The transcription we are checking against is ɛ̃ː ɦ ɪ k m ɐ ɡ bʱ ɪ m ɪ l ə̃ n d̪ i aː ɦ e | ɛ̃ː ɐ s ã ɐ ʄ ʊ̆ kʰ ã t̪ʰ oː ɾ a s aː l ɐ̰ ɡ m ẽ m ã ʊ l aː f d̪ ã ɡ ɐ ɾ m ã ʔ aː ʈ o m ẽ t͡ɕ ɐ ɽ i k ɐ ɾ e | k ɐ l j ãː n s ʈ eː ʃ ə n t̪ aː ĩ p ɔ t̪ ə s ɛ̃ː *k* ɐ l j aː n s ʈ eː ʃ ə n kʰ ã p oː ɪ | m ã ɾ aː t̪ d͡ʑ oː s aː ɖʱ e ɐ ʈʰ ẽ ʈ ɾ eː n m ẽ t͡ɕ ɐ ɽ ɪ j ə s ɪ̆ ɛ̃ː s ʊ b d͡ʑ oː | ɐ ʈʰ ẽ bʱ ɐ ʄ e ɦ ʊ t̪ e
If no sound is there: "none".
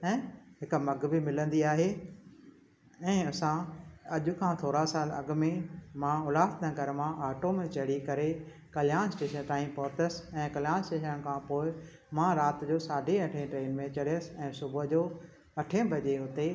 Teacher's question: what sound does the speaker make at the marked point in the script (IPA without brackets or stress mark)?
k